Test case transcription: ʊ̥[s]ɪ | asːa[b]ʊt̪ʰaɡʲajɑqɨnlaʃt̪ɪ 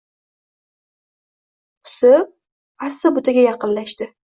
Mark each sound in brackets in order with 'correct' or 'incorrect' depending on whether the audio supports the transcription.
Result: correct, correct

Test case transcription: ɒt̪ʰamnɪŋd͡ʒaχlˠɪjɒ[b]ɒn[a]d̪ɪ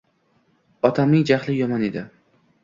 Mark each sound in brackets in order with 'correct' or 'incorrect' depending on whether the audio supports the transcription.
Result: incorrect, incorrect

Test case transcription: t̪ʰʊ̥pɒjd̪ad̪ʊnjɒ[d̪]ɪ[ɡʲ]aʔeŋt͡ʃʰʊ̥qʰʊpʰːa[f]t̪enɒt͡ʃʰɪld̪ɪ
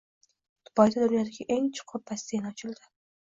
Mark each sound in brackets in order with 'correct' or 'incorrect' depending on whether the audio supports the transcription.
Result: correct, correct, incorrect

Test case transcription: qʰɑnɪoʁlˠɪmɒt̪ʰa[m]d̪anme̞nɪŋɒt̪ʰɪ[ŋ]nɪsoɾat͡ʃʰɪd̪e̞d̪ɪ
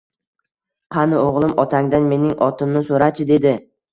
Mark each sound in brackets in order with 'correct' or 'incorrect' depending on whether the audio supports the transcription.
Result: incorrect, incorrect

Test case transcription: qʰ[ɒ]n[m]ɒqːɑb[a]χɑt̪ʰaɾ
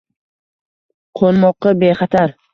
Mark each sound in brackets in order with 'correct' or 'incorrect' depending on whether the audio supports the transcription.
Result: incorrect, correct, incorrect

